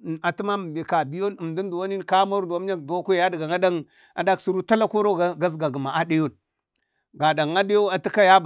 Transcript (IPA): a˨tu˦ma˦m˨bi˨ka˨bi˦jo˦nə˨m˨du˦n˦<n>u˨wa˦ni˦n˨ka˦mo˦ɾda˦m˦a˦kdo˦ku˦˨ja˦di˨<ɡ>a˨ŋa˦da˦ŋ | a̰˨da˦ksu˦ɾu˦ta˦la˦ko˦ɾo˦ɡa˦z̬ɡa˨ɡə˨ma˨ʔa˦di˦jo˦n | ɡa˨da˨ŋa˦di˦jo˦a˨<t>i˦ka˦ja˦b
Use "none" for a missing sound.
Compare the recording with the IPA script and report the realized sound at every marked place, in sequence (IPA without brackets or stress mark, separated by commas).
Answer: d, ɡ, t